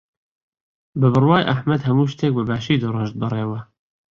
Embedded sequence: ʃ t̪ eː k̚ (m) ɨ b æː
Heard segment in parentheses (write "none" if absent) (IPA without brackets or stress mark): b